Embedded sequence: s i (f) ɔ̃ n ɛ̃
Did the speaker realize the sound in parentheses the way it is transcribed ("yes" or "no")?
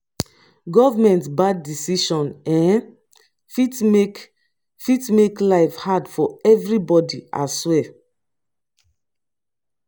no